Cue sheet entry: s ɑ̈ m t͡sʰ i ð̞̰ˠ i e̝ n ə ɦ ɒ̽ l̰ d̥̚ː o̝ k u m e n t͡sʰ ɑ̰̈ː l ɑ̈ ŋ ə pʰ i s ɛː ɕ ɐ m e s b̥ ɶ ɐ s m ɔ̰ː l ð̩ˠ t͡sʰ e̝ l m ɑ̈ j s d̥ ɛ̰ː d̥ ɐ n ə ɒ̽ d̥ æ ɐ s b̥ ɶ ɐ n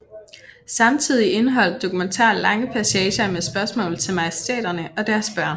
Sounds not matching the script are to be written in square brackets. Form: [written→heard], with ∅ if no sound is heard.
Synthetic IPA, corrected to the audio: s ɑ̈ m t͡sʰ i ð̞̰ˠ i e̝ n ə ɦ ɒ̽ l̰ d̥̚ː o̝ k u m e n t͡sʰ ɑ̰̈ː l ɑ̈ ŋ ə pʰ [i→æ] s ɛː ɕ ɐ m e s b̥ ɶ ɐ s m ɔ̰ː l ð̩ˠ t͡sʰ e̝ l m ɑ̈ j s d̥ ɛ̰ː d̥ ɐ n ə ɒ̽ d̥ æ ɐ s b̥ ɶ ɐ n